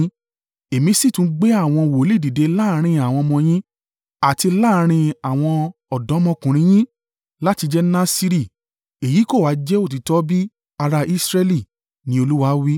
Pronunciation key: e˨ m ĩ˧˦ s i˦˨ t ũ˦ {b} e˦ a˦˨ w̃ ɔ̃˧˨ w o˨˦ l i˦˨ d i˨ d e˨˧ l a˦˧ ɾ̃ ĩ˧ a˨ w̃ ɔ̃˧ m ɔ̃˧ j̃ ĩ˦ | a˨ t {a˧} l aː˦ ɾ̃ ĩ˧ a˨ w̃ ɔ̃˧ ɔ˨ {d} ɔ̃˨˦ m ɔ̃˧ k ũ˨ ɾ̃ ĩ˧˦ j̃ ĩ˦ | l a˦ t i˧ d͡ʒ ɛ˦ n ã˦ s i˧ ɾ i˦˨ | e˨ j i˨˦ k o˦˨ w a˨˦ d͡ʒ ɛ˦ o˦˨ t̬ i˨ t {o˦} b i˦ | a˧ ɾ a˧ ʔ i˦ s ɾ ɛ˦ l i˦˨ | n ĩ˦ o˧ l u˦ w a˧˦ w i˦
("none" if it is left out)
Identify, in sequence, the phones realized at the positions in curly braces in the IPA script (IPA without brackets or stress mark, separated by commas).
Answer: ɡ͡b, i˧, d, ɔ˦